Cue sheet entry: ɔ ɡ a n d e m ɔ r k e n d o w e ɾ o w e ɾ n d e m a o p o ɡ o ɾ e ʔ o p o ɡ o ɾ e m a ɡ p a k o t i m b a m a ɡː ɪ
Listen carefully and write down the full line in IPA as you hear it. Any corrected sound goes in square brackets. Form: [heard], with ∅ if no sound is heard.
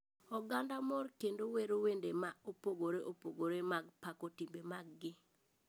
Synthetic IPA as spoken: ɔ ɡ a n d [a] m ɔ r k e n d o w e ɾ o w e [∅] n d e m a o p o ɡ o ɾ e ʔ o p o ɡ o ɾ e m a ɡ p a k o t i m b [e] m a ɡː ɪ